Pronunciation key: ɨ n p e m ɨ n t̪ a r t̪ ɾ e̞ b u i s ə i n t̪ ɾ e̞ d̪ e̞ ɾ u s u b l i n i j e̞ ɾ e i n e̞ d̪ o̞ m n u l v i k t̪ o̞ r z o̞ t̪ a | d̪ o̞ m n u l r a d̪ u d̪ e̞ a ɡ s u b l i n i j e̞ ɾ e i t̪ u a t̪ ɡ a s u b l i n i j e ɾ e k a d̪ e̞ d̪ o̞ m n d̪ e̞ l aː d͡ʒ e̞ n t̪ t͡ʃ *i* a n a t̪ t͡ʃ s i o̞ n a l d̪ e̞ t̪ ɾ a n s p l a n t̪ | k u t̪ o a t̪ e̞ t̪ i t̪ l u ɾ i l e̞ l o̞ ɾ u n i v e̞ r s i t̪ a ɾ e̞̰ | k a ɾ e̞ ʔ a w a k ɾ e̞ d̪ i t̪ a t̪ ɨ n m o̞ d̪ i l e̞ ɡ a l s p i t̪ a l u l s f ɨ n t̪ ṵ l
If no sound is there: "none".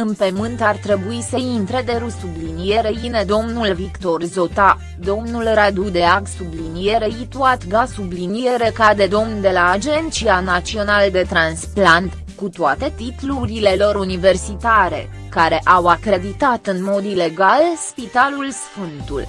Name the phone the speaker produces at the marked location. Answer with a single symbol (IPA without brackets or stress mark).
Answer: i